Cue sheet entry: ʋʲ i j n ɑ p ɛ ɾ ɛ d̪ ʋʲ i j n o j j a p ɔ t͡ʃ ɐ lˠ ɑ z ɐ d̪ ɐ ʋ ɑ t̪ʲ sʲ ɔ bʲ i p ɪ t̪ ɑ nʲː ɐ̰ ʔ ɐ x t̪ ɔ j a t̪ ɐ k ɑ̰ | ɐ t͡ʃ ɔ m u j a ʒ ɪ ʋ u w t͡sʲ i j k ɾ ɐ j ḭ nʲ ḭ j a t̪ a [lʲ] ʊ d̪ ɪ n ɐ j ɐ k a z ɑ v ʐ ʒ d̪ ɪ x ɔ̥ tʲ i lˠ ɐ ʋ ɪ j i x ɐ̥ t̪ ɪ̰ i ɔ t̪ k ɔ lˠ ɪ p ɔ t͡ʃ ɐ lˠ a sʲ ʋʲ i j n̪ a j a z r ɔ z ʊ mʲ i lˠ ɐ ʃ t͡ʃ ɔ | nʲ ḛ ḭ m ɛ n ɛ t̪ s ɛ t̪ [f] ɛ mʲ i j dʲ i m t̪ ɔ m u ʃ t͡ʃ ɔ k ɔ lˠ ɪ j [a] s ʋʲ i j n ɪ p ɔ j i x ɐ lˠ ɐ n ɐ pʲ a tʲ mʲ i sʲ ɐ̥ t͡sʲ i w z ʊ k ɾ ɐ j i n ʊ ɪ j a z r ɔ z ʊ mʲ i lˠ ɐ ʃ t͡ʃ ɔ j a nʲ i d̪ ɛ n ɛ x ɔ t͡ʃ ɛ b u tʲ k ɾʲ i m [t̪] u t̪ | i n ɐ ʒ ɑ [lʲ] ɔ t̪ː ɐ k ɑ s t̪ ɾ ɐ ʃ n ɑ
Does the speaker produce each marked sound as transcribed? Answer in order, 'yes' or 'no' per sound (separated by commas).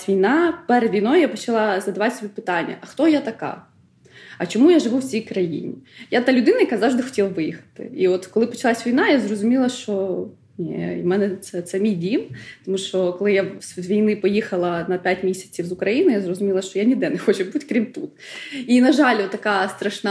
yes, no, yes, yes, yes